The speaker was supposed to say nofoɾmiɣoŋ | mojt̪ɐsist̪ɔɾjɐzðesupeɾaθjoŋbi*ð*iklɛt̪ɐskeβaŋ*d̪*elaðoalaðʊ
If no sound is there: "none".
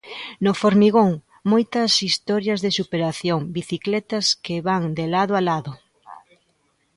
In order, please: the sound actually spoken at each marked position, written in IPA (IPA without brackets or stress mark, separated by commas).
θ, d̪